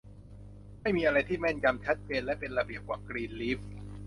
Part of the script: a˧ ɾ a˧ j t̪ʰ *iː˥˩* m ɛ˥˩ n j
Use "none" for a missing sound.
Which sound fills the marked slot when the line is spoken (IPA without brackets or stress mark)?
iː˥˩